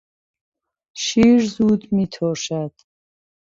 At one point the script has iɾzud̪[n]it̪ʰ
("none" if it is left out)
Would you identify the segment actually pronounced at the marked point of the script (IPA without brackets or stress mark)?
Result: m